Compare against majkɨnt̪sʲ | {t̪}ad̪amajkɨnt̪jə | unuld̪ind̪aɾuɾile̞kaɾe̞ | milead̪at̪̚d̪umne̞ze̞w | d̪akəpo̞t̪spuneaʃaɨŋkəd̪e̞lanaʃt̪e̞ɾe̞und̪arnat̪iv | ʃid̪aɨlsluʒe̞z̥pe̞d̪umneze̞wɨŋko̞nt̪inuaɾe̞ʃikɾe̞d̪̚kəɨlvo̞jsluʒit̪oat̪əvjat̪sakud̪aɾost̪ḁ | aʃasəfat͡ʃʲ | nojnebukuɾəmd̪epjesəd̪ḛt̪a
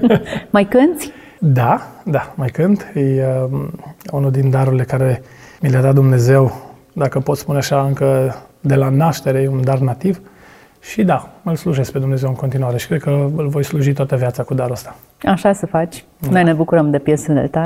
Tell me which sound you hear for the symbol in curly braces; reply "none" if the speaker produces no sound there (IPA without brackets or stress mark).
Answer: d̪